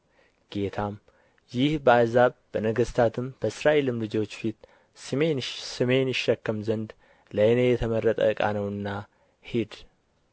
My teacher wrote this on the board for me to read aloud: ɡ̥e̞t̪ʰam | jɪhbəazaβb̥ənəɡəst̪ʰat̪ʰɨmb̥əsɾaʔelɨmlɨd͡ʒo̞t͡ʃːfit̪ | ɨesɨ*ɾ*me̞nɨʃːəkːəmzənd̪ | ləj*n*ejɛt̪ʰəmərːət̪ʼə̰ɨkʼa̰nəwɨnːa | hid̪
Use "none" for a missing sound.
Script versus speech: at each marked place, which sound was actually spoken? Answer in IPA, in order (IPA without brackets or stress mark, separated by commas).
none, n